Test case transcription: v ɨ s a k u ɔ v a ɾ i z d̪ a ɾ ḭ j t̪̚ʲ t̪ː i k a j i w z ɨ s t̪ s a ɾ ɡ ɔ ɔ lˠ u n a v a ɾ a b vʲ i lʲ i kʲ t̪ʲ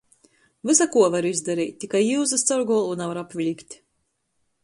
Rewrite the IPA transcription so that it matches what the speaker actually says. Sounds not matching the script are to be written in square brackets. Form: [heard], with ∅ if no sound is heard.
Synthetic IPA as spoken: v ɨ s a k u ɔ v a ɾ i z d̪ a ɾ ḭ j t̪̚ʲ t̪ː i k a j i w z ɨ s t̪ s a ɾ ɡ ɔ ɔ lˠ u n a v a ɾ a [p] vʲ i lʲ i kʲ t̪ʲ